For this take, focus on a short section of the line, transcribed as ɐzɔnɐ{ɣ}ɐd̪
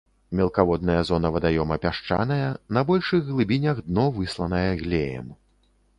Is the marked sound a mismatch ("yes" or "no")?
yes